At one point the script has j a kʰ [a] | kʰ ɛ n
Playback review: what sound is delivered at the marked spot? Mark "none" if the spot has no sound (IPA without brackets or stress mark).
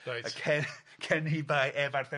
ɛ